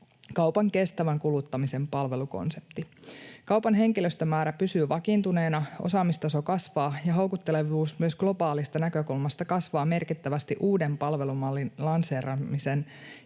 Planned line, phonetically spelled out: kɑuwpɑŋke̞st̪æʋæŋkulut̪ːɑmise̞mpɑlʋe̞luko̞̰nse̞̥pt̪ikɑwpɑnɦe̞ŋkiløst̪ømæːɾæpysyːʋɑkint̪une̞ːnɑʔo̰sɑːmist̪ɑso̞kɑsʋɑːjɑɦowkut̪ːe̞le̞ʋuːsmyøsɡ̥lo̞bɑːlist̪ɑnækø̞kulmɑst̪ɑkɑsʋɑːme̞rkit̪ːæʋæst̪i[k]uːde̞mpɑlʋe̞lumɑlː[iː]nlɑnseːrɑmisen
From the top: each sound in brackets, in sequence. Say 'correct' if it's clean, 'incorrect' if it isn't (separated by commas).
incorrect, incorrect